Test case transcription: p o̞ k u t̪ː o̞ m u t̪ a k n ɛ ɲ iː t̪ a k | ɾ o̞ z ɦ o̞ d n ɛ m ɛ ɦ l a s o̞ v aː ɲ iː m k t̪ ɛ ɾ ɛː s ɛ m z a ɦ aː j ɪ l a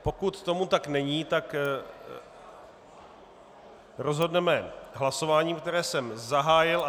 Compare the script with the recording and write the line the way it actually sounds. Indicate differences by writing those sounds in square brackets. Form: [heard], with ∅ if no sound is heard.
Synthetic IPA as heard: p o̞ k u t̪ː o̞ m u t̪ a k n ɛ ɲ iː t̪ a k | ɾ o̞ z ɦ o̞ d n ɛ m ɛ ɦ l a s o̞ v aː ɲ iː m k t̪ ɛ ɾ ɛː s ɛ m z a ɦ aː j ɪ l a

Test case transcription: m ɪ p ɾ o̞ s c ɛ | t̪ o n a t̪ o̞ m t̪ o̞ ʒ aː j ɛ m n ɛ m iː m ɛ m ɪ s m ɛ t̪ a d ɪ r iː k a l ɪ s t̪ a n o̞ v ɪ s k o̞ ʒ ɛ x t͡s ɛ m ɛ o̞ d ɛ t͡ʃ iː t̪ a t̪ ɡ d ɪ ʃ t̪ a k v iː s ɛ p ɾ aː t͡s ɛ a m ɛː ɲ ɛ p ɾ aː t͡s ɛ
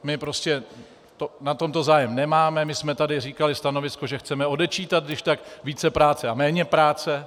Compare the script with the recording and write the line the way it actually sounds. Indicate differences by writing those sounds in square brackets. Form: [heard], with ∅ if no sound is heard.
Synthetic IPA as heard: m ɪ p ɾ o̞ s c ɛ | t̪ o n a t̪ o̞ m t̪ o̞ [z] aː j ɛ m n ɛ m [aː] m ɛ m ɪ s m ɛ t̪ a d ɪ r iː k a l ɪ s t̪ a n o̞ v ɪ s k o̞ ʒ ɛ x t͡s ɛ m ɛ o̞ d ɛ t͡ʃ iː t̪ a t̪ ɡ d ɪ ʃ t̪ a k v iː [t͡s] ɛ p ɾ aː t͡s ɛ a m ɛː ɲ ɛ p ɾ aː t͡s ɛ

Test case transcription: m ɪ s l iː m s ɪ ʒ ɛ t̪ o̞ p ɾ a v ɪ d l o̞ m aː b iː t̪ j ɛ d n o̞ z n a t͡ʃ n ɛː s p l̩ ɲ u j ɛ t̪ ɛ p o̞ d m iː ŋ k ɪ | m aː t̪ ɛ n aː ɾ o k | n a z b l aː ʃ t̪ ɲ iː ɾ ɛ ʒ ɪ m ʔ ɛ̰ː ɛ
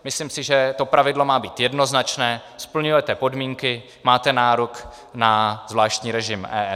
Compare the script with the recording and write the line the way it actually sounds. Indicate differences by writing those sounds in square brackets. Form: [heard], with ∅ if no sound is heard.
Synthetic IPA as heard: m ɪ s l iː m s ɪ ʒ ɛ t̪ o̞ p ɾ a v ɪ d l o̞ m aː b iː t̪ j ɛ d n o̞ z n a t͡ʃ n ɛː s p l̩ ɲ u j ɛ t̪ ɛ p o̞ d m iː ŋ k ɪ | m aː t̪ ɛ n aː ɾ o k | n a z [v] l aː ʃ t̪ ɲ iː ɾ ɛ ʒ ɪ m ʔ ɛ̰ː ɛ

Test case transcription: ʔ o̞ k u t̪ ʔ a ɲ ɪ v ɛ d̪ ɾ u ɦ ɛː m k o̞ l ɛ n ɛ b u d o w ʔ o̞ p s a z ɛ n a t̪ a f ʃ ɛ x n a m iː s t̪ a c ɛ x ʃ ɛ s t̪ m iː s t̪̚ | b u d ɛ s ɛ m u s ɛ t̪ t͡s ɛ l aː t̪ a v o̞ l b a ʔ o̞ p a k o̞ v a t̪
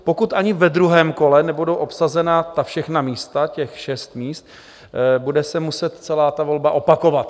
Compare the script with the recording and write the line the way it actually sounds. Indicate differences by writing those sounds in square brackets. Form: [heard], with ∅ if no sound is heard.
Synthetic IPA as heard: [p] o̞ k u t̪ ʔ a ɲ ɪ v ɛ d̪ ɾ u ɦ ɛː m k o̞ l ɛ n ɛ b u d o w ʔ o̞ p s a z ɛ n a t̪ a f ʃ ɛ x n a m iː s t̪ a c ɛ x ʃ ɛ s t̪ m iː s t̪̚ | b u d ɛ s ɛ m u s ɛ t̪ t͡s ɛ l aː t̪ a v o̞ l b a ʔ o̞ p a k o̞ v a t̪

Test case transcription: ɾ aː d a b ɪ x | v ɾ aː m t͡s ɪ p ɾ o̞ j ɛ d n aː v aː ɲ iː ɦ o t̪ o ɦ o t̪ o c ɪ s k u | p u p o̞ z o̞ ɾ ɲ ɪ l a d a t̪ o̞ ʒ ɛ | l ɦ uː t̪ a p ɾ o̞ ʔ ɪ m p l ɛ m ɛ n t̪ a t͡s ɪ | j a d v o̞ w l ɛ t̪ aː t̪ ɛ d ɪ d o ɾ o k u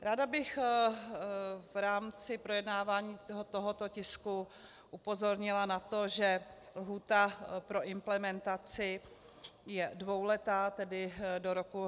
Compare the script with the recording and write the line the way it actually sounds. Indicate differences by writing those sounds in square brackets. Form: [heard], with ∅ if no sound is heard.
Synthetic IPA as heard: ɾ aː d a b ɪ x | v ɾ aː m t͡s ɪ p ɾ o̞ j ɛ d n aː v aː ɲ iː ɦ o t̪ o ɦ o t̪ o c ɪ s k u | [ʔ] u p o̞ z o̞ ɾ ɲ ɪ l a [n] a t̪ o̞ ʒ ɛ | l ɦ uː t̪ a p ɾ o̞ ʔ ɪ m p l ɛ m ɛ n t̪ a t͡s ɪ | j [ɛ] d v o̞ w l ɛ t̪ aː t̪ ɛ d ɪ d o ɾ o k u

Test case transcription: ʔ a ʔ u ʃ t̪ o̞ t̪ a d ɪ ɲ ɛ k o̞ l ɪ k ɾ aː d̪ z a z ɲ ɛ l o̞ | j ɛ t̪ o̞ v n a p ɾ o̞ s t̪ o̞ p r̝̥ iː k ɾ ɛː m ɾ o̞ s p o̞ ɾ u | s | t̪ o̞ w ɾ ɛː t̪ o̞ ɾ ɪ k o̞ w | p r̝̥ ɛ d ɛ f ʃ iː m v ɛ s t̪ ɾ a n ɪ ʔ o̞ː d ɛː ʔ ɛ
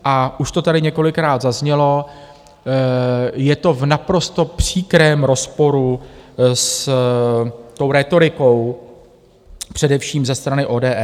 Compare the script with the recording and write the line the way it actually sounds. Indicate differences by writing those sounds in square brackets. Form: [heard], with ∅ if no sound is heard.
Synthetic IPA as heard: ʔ a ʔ u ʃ t̪ o̞ t̪ a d ɪ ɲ ɛ k o̞ l ɪ k ɾ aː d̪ z a z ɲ ɛ l o̞ | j ɛ t̪ o̞ v n a p ɾ o̞ s t̪ o̞ p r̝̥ iː k ɾ ɛː m ɾ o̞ s p o̞ ɾ u | s | t̪ o̞ w ɾ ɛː t̪ o̞ ɾ ɪ k o̞ w | p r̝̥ ɛ d ɛ f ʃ iː m [z] ɛ s t̪ ɾ a n ɪ ʔ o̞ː d ɛː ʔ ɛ

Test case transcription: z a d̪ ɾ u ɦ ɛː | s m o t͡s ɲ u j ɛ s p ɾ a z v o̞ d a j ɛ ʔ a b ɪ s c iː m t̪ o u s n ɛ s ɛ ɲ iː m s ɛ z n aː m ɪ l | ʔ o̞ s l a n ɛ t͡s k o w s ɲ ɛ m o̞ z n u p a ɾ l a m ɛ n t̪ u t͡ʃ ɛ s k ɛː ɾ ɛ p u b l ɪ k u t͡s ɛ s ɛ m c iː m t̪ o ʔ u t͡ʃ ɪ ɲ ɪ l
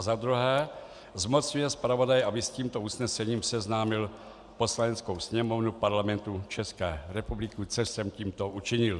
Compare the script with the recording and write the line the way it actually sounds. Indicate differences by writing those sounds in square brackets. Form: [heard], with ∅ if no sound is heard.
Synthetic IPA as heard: z a d̪ ɾ u ɦ ɛː | [z] m o t͡s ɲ u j ɛ s p ɾ a [∅] v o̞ d a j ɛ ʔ a b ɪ s c iː m t̪ o u s n ɛ s ɛ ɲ iː m s ɛ z n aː m ɪ l | [p] o̞ s l a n ɛ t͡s k o w s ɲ ɛ m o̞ [v] n u p a ɾ l a m ɛ n t̪ u t͡ʃ ɛ s k ɛː ɾ ɛ p u b l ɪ k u t͡s ɛ s ɛ m c iː m t̪ o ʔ u t͡ʃ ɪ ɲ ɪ l

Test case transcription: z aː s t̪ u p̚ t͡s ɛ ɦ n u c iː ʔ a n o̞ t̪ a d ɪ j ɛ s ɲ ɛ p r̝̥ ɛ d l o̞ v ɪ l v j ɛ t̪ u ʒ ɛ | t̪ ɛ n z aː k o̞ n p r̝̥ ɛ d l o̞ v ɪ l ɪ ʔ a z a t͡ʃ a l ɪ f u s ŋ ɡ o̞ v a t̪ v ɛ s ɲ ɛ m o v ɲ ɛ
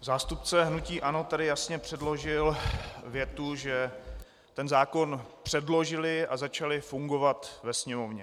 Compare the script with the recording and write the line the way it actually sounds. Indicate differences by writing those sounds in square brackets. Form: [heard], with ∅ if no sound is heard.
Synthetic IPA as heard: z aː s t̪ u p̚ t͡s ɛ ɦ n u c iː ʔ a n o̞ t̪ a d ɪ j [a] s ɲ ɛ p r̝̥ ɛ d l o̞ [ʒ] ɪ l v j ɛ t̪ u ʒ ɛ | t̪ ɛ n z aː k o̞ n p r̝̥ ɛ d l o̞ [ʒ] ɪ l ɪ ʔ a z a t͡ʃ a l ɪ f u [∅] ŋ ɡ o̞ v a t̪ v ɛ s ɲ ɛ m o v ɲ ɛ

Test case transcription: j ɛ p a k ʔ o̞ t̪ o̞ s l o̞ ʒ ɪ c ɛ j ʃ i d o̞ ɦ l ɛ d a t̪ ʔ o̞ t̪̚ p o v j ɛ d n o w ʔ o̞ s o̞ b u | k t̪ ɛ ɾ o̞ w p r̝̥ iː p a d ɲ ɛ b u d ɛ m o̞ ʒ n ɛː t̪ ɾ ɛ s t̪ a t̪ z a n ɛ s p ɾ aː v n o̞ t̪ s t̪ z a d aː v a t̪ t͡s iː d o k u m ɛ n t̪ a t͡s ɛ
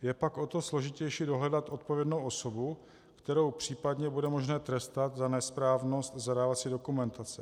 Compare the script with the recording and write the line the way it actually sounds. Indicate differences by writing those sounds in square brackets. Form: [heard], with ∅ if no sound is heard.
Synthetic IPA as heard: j ɛ p a k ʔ o̞ t̪ o̞ s l o̞ ʒ ɪ c ɛ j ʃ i d o̞ ɦ l ɛ d a t̪ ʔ o̞ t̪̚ p o v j ɛ d n o w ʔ o̞ s o̞ b u | k t̪ ɛ ɾ o̞ w p r̝̥ iː p a d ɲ ɛ b u d ɛ m o̞ ʒ n ɛː t̪ ɾ ɛ s t̪ a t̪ z a n ɛ s p ɾ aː v n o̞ [∅] s t̪ z a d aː v a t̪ t͡s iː d o k u m ɛ n t̪ a t͡s ɛ

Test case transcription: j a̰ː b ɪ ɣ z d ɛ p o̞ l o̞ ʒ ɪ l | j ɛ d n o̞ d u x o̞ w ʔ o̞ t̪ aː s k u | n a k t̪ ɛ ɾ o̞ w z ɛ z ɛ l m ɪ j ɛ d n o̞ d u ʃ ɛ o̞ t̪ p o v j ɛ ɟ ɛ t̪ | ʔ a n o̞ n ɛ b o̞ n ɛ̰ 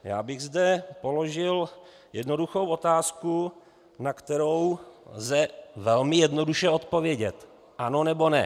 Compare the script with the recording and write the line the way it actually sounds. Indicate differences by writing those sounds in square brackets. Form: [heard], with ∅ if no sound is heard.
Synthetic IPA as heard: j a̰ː b ɪ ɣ z d ɛ p o̞ l o̞ ʒ ɪ l | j ɛ d n o̞ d u x o̞ w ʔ o̞ t̪ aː s k u | n a k t̪ ɛ ɾ o̞ w z ɛ [v] ɛ l m ɪ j ɛ d n o̞ d u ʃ ɛ o̞ t̪ p o v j ɛ ɟ ɛ t̪ | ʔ a n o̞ n ɛ b o̞ n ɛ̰

